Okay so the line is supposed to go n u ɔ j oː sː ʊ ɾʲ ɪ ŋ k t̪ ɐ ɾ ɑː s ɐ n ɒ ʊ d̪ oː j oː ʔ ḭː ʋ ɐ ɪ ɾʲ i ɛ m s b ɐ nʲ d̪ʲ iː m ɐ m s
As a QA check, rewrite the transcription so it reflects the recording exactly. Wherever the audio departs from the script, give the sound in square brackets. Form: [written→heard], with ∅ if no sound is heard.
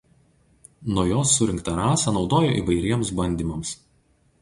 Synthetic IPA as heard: n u ɔ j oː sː ʊ ɾʲ ɪ ŋ k t̪ ɐ ɾ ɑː s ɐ n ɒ ʊ d̪ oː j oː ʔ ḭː ʋ ɐ ɪ ɾʲ i ɛ m s b ɐ nʲ d̪ʲ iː m ɐ m s

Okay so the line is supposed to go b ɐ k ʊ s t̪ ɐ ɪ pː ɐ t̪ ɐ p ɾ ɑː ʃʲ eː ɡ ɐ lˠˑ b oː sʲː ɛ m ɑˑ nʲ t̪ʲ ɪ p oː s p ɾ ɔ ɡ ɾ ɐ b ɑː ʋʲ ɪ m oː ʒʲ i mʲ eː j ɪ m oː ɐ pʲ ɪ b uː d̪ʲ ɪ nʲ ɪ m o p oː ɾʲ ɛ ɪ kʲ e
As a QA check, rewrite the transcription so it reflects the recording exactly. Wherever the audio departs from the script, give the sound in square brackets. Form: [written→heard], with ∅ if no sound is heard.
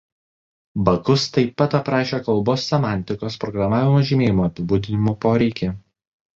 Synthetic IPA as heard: b ɐ k ʊ s t̪ ɐ ɪ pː ɐ t̪ ɐ p ɾ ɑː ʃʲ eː [ɡ→k] ɐ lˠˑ b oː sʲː ɛ m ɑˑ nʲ t̪ʲ ɪ [p→k] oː s p ɾ ɔ ɡ ɾ ɐ [b→m] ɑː ʋʲ ɪ m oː ʒʲ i mʲ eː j ɪ m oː ɐ pʲ ɪ b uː d̪ʲ ɪ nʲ ɪ m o p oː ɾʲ ɛ ɪ kʲ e

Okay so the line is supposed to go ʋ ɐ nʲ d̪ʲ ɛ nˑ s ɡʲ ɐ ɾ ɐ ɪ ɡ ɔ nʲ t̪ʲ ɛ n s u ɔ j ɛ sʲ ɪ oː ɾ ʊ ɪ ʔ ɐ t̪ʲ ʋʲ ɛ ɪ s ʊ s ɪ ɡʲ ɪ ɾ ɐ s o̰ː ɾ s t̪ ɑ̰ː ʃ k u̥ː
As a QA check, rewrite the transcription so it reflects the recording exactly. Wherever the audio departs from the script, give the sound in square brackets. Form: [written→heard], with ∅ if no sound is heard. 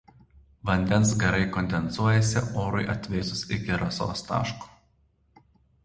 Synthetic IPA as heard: ʋ ɐ nʲ d̪ʲ ɛ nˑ s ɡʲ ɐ ɾ ɐ ɪ [ɡ→k] ɔ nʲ [t̪ʲ→d̪ʲ] ɛ n s u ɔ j ɛ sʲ ɪ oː ɾ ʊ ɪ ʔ ɐ t̪ʲ ʋʲ ɛ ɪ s ʊ s ɪ [ɡʲ→kʲ] ɪ ɾ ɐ s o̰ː [ɾ→∅] s t̪ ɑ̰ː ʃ k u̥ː

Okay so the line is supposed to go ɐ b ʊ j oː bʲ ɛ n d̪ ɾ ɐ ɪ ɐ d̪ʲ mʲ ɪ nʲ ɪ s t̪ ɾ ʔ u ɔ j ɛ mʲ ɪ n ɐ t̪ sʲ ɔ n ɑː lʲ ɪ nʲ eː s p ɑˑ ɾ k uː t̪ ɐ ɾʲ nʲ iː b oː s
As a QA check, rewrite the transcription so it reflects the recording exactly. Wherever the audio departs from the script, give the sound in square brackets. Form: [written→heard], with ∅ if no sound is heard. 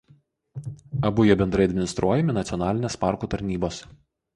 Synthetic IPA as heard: ɐ b ʊ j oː bʲ ɛ n d̪ ɾ ɐ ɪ ɐ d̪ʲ mʲ ɪ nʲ ɪ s t̪ ɾ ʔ u ɔ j ɛ mʲ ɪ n ɐ t̪ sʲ ɔ n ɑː lʲ ɪ nʲ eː s p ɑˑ ɾ k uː t̪ ɐ ɾʲ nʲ iː b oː s

